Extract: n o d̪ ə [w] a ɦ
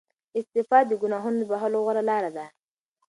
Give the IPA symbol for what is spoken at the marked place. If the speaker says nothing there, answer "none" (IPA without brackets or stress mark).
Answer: b